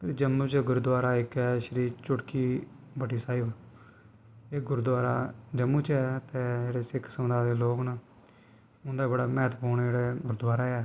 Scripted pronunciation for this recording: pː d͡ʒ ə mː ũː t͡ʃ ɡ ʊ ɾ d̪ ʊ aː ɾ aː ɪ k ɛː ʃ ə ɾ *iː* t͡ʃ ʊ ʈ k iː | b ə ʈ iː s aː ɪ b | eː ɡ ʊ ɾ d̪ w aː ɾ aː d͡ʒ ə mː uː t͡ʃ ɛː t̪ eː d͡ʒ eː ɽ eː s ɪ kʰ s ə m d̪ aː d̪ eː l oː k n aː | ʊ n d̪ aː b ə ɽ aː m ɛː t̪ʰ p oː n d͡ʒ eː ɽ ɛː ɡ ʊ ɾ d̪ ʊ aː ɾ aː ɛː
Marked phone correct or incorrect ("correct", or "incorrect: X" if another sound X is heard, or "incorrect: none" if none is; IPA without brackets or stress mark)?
correct